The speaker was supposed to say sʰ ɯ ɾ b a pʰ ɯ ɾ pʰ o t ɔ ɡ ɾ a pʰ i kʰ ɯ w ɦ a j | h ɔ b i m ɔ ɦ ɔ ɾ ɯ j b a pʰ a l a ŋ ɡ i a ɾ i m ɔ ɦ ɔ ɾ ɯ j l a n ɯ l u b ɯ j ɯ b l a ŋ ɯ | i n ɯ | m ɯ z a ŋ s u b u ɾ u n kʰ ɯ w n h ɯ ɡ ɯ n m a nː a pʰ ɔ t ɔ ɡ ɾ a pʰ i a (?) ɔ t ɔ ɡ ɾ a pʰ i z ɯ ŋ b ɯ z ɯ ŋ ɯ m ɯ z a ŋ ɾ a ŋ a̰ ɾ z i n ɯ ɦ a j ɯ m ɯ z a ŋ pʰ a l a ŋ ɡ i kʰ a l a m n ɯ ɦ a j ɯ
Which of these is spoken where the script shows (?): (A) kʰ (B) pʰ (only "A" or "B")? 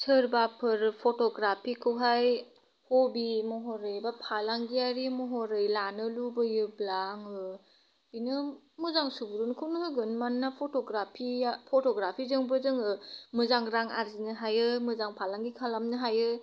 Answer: B